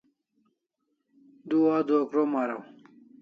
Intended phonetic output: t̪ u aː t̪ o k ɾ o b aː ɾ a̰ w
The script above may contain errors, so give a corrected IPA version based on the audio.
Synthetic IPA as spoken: d̪ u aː d̪ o k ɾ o m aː ɾ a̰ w